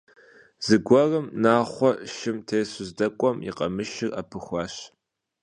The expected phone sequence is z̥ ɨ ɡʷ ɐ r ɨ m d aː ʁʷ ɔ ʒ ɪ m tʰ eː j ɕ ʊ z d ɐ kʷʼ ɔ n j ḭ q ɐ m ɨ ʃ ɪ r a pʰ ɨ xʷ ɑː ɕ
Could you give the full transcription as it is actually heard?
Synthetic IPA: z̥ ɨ ɡʷ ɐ r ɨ m n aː χʷ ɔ ʃ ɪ m tʰ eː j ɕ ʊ z d ɐ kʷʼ ɔ m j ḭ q ɐ m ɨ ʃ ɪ r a pʰ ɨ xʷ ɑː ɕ